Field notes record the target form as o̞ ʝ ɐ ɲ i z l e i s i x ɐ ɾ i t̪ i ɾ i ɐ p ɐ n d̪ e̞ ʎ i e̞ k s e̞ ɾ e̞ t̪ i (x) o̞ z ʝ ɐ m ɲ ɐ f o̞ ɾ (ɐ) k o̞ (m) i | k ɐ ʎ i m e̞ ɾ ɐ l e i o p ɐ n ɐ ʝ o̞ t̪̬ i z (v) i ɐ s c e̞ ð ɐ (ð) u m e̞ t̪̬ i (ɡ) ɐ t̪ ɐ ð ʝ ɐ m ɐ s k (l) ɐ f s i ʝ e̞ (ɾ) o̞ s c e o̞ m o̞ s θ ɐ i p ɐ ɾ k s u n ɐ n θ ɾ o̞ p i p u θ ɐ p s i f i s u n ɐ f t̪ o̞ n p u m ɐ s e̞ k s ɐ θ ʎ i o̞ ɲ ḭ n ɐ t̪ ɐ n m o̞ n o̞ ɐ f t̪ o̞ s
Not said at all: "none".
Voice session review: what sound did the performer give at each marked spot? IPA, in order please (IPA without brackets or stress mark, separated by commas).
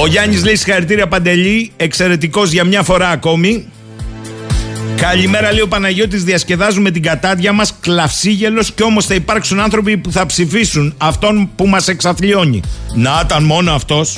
k, ɐː, m, ð, z, ɡ, l, l